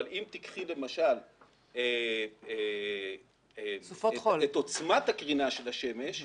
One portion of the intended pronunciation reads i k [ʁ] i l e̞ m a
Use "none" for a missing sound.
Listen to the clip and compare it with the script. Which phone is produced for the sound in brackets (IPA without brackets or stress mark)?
χ